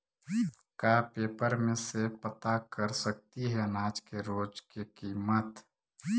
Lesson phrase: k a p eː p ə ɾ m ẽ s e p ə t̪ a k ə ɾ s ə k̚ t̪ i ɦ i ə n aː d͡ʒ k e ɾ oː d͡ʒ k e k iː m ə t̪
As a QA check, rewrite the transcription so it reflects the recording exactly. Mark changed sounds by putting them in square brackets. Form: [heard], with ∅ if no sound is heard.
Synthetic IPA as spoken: k a p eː p ə ɾ m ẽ s e p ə t̪ a k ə ɾ s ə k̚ t̪ i ɦ [ɛ] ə n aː d͡ʒ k e ɾ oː d͡ʒ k e k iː m ə t̪